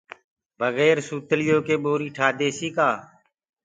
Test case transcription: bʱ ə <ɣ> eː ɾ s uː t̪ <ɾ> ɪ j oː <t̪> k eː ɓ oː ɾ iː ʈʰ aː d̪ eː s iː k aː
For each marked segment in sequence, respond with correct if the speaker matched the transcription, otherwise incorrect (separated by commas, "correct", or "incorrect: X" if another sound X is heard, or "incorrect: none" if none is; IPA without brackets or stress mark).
correct, incorrect: l, incorrect: none